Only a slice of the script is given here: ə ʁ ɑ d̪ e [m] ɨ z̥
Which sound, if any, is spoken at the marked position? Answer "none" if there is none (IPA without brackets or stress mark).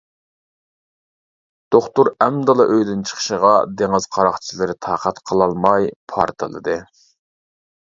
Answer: ŋ